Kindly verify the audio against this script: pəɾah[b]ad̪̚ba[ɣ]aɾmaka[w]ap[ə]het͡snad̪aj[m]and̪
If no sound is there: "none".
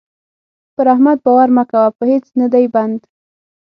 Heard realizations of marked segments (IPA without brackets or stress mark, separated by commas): m, w, w, ə, b